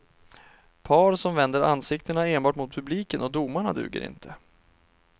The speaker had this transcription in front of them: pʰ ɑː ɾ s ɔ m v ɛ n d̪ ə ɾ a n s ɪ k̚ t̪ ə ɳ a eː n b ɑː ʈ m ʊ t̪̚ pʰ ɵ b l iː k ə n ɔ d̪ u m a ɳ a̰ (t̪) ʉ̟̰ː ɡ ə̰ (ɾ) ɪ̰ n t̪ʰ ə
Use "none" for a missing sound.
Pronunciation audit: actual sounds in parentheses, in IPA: d̪, ɾ

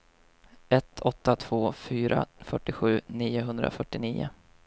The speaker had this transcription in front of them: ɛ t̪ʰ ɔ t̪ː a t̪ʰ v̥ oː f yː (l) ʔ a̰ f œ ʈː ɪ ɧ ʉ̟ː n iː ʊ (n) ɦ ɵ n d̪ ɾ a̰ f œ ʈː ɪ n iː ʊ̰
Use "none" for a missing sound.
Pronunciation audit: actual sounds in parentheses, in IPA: ɾ, none

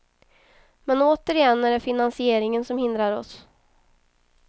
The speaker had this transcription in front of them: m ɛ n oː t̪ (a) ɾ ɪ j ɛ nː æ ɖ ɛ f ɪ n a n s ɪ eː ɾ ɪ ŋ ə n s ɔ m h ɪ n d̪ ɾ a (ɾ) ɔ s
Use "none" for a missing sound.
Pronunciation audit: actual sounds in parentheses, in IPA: ə, ɾ

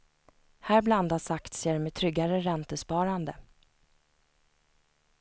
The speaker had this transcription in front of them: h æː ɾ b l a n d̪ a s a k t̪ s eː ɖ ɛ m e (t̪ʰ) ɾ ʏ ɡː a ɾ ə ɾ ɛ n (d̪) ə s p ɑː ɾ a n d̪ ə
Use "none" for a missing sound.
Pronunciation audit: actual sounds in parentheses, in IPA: t̪ʰ, t̪

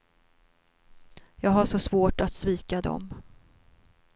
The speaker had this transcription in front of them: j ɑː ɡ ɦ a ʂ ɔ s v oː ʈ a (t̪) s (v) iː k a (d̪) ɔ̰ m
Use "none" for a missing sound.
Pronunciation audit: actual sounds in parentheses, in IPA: t̪, v, d̪

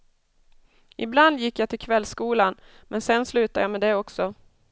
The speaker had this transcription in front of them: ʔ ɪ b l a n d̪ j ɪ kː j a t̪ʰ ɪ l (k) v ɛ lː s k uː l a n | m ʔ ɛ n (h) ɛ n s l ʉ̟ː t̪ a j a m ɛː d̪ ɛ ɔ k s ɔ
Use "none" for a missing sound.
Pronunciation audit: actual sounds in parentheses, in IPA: kʰ, s

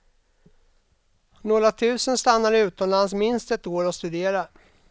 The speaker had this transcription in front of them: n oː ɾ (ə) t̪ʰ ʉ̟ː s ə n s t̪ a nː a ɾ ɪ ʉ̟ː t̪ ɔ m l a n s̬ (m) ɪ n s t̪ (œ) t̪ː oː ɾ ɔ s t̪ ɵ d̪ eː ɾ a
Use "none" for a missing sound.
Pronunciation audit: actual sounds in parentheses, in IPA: a, m, ɛ

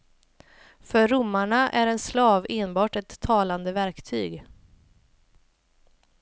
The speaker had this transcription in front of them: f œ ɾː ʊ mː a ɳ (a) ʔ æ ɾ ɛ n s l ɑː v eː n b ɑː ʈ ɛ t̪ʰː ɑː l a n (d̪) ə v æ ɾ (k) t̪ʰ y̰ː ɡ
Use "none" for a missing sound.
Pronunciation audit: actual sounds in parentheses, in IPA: a, d̪, k

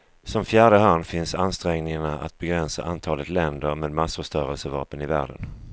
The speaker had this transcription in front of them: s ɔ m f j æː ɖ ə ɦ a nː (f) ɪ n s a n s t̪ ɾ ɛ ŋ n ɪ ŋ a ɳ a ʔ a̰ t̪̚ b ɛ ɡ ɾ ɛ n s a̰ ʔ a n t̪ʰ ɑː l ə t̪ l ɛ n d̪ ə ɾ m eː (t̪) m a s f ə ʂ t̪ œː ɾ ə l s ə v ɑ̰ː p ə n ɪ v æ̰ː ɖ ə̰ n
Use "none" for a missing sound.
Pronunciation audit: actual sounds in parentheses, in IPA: f, d̪

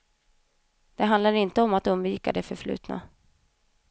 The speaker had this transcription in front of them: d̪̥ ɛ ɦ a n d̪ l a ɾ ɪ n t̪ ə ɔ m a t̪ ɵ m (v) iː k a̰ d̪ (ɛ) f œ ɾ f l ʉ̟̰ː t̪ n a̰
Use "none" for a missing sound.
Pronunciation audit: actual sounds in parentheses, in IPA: v, ɛ

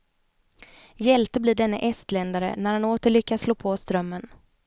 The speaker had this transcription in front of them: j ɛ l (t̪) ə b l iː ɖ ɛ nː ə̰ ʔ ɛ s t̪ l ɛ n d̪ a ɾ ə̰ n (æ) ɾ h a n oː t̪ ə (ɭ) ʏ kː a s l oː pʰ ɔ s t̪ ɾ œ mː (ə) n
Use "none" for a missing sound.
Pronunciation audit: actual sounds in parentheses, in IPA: t̪, æ, ɭ, ə

